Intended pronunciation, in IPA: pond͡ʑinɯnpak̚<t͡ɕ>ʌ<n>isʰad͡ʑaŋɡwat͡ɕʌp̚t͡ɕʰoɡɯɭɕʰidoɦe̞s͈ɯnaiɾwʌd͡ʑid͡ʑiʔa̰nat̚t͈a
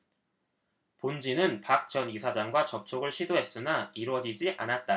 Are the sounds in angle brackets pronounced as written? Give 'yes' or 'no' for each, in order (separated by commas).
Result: yes, yes